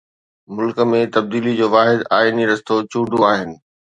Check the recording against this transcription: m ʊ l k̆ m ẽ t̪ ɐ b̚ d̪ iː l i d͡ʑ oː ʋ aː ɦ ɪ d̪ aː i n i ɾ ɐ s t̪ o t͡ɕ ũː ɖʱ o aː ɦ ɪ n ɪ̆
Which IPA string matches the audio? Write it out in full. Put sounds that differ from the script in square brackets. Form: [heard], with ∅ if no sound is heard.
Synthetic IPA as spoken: m ʊ l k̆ m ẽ t̪ ɐ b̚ d̪ iː l i d͡ʑ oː ʋ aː ɦ ɪ d̪ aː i n i ɾ ɐ s t̪ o t͡ɕ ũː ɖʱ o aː ɦ ɪ n ɪ̆